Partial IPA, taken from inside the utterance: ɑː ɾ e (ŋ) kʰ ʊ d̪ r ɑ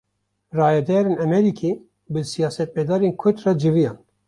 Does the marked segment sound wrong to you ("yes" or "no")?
yes